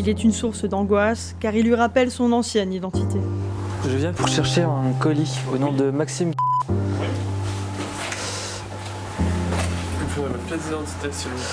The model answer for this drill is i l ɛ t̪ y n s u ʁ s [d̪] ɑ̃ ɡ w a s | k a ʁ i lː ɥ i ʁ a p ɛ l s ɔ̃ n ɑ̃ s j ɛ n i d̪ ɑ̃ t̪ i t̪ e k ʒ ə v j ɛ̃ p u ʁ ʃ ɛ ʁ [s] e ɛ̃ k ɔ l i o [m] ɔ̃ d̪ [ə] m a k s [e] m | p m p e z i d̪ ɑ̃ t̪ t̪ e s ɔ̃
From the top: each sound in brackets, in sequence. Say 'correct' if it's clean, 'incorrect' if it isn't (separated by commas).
correct, incorrect, incorrect, correct, incorrect